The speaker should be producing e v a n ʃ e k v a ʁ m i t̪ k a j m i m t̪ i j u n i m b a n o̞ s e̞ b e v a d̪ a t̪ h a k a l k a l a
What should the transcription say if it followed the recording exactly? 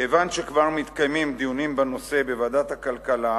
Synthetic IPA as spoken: e v a n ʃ e k v a ʁ m i t̪ k a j m i m d̪ i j u n i m b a n o̞ s e̞ b e v a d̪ a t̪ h a k a l k a l a